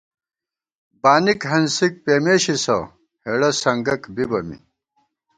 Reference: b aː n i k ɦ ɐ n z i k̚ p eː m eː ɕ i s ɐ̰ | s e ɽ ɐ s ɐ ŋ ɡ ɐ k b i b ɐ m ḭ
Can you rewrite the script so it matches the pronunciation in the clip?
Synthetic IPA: b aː n i k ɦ ɐ n s i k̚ p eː m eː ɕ i s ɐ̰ | h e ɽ ɐ s ɐ ŋ ɡ ɐ k b i b ɐ m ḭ